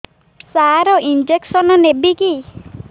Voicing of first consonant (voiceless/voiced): voiceless